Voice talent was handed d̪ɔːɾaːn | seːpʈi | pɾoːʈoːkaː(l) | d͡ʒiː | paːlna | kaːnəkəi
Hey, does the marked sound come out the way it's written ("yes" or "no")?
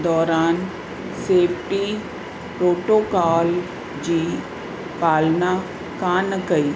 yes